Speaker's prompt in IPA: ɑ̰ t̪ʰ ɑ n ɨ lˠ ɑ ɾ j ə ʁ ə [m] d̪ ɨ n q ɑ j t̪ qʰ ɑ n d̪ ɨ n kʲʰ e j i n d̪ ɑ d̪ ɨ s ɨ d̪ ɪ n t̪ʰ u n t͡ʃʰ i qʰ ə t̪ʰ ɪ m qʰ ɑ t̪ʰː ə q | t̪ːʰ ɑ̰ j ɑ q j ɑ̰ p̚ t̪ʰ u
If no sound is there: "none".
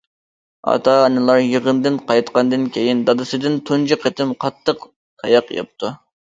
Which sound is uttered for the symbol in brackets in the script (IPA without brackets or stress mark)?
n